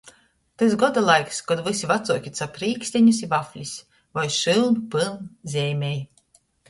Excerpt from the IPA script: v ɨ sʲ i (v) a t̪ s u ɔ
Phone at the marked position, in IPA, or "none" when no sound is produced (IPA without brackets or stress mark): v